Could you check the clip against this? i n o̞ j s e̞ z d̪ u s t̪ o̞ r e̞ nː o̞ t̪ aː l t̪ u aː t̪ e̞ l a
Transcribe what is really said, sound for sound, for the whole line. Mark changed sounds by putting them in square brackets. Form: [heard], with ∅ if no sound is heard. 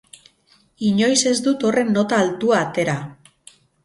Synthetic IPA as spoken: i [ɲ] o̞ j s e̞ z d̪ u [∅] t̪ o̞ r e̞ nː o̞ t̪ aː l t̪ u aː t̪ e̞ [ɾ] a